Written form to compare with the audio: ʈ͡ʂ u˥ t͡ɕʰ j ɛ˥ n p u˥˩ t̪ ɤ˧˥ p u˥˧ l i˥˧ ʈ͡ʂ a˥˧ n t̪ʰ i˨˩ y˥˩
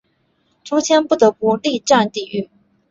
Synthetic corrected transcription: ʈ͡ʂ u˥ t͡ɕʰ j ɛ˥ n p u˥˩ t̪ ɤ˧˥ p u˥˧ l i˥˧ ʈ͡ʂ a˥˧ n t̪ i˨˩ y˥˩